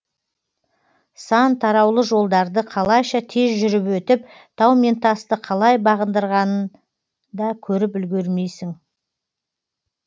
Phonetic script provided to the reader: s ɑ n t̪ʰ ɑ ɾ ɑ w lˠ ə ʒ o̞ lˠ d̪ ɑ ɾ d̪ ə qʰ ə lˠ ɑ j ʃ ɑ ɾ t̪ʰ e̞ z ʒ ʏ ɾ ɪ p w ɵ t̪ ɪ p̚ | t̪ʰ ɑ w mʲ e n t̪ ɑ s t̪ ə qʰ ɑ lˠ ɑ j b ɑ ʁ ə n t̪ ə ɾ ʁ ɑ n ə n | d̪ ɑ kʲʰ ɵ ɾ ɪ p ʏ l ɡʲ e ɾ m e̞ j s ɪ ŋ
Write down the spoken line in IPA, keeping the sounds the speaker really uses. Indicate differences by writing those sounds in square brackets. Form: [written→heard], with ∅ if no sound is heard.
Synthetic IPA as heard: s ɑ n t̪ʰ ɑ ɾ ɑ w lˠ ə ʒ o̞ lˠ d̪ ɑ ɾ d̪ ə qʰ [ə→ɑ] lˠ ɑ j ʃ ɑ [ɾ→∅] t̪ʰ e̞ z ʒ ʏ ɾ ɪ p w ɵ t̪ ɪ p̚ | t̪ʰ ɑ w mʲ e n t̪ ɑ s t̪ ə qʰ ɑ lˠ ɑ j b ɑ ʁ ə n [t̪→d̪] ə ɾ ʁ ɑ n ə n | d̪ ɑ kʲʰ ɵ ɾ ɪ p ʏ l ɡʲ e ɾ m e̞ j s ɪ ŋ